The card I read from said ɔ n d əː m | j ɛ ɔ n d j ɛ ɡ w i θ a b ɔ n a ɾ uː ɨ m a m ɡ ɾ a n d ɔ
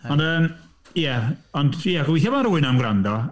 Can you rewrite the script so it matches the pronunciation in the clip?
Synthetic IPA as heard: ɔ n d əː m | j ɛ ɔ n d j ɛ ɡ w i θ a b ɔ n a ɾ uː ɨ n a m ɡ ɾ a n d ɔ